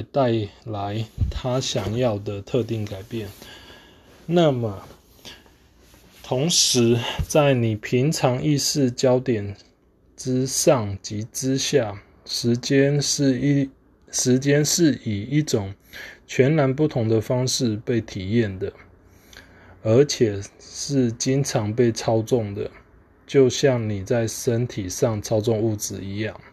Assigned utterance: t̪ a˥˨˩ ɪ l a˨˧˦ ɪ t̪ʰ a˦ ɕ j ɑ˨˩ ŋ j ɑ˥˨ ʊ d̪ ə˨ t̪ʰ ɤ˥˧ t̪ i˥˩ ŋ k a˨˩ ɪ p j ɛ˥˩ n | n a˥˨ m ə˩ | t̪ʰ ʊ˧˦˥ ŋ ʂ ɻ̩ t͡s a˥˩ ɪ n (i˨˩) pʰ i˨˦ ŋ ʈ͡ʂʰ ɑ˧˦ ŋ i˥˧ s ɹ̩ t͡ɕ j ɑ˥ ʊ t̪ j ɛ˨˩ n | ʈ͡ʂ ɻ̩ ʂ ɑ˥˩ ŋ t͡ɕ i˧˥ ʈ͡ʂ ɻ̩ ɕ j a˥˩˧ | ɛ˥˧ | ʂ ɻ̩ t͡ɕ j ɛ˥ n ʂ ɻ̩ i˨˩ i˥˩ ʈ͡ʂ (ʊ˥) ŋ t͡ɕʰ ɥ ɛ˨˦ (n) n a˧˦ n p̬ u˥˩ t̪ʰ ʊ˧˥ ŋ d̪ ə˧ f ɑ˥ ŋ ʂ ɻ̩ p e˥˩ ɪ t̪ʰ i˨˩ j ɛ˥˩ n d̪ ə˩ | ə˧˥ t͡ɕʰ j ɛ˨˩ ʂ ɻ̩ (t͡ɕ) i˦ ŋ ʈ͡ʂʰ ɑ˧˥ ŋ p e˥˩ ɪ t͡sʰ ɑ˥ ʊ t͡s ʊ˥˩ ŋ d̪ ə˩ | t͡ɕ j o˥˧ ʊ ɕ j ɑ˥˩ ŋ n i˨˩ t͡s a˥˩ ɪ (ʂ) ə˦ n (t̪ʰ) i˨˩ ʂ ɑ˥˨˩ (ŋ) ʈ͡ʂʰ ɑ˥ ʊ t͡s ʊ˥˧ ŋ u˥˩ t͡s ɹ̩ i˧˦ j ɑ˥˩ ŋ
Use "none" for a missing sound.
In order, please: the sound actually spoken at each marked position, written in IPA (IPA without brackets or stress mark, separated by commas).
i˨˩, ʊ˨˩, n, t͡ɕ, ʂ, t̪ʰ, ŋ